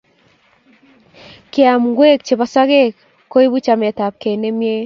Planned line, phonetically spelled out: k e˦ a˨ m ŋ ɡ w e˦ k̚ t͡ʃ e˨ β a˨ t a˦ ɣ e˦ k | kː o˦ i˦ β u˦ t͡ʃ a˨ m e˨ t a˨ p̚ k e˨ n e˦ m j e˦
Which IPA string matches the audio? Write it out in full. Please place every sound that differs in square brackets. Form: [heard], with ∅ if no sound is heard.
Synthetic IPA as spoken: k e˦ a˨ m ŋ ɡ w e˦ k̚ t͡ʃ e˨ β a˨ [s] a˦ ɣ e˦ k | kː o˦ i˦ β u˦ t͡ʃ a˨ m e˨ t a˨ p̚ k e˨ n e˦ m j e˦